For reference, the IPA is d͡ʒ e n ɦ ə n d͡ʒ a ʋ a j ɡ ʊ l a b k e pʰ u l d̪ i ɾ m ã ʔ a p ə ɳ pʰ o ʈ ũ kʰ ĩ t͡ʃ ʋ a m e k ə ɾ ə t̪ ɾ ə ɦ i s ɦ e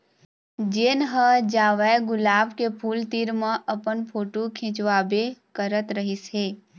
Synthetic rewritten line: d͡ʒ e n ɦ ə d͡ʒ a ʋ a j ɡ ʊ l a b k e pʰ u l t̪ i ɾ m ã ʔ ə p ə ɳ pʰ o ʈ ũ kʰ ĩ t͡ʃ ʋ a b e k ə ɾ ə t̪ ɾ ə ɦ i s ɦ e